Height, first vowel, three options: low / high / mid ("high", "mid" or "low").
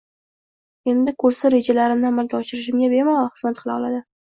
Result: mid